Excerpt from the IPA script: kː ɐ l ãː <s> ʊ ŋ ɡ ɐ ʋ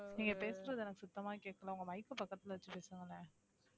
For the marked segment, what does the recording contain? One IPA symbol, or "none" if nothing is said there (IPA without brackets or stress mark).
none